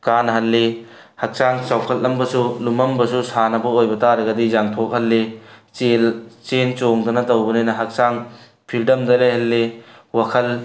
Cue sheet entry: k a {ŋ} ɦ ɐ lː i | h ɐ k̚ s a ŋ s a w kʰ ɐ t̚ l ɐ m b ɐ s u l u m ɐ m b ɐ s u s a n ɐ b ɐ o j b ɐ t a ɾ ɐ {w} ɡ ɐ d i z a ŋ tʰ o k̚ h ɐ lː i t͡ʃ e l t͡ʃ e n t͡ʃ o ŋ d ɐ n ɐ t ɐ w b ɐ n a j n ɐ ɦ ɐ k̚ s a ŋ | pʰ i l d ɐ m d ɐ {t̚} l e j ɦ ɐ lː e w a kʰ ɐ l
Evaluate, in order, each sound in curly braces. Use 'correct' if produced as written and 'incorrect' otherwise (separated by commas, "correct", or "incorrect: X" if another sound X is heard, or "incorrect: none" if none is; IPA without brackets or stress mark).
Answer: incorrect: n, incorrect: none, incorrect: none